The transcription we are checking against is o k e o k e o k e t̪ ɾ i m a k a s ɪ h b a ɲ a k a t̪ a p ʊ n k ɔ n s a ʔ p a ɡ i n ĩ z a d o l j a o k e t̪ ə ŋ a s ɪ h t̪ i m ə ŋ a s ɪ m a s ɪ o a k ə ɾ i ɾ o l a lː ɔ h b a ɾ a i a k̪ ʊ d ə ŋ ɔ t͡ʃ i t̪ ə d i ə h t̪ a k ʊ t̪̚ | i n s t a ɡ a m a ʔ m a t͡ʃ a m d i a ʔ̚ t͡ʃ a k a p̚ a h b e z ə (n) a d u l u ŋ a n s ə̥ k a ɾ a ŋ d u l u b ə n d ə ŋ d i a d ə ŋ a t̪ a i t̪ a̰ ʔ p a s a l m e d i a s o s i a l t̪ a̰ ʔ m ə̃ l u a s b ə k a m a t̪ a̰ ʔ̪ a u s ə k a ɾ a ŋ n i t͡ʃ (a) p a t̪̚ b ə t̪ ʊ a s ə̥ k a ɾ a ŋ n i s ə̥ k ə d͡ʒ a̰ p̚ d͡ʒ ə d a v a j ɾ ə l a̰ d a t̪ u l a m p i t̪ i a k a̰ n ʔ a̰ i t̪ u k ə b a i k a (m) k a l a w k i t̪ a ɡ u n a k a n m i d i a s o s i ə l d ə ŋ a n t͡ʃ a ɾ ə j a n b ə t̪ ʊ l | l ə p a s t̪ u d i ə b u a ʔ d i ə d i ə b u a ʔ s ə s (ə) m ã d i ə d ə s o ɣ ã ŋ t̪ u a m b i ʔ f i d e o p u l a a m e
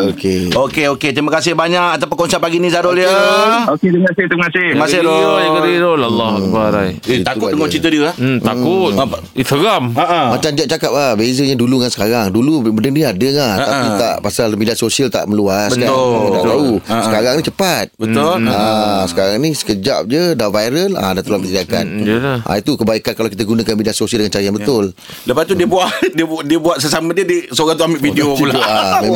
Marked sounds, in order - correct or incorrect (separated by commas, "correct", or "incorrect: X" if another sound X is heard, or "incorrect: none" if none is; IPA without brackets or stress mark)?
incorrect: ɲ, incorrect: ə, incorrect: n, incorrect: a